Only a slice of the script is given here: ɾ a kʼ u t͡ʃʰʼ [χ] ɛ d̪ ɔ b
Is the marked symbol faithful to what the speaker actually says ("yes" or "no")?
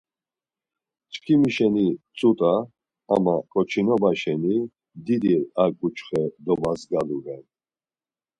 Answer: yes